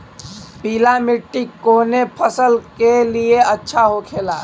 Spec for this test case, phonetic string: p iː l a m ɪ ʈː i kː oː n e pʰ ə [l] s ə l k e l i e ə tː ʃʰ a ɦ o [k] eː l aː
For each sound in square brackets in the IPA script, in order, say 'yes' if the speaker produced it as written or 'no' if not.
no, no

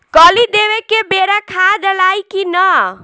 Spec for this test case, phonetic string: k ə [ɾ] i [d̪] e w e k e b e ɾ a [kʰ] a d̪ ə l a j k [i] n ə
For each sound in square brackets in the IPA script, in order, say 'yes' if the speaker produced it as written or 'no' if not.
no, yes, yes, yes

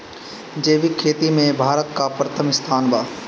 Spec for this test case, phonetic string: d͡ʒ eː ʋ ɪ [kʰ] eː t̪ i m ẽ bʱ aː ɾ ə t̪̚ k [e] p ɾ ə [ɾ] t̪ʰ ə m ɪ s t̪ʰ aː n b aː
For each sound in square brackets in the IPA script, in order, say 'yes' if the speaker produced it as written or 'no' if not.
yes, no, no

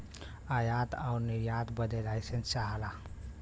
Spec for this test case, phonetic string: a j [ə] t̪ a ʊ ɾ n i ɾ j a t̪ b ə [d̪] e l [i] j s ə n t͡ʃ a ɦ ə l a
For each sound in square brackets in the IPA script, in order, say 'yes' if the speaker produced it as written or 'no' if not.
no, yes, no

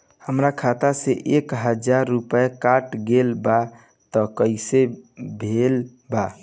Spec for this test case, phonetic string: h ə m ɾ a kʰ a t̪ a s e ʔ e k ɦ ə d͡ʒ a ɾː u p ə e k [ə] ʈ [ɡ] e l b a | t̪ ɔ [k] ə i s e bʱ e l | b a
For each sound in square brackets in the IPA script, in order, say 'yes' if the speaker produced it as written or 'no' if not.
no, yes, yes

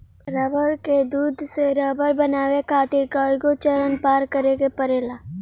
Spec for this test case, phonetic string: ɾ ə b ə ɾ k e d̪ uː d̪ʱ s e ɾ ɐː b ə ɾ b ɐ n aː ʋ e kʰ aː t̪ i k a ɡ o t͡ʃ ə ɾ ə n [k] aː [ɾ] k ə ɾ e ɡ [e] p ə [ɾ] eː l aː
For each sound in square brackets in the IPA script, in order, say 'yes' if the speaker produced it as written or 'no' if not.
no, yes, yes, yes

